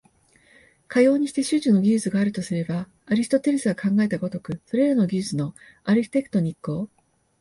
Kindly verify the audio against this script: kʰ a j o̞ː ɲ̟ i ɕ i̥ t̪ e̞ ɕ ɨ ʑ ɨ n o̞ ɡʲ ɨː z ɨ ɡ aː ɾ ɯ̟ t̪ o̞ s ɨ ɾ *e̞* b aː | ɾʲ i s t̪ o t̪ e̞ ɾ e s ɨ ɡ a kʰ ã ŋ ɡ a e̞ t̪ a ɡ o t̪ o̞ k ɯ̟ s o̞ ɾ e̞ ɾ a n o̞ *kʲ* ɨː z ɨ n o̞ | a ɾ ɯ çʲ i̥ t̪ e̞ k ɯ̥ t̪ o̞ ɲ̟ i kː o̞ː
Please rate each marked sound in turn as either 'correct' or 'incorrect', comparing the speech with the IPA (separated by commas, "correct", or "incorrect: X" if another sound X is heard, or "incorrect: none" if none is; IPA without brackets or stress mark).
correct, incorrect: ɡʲ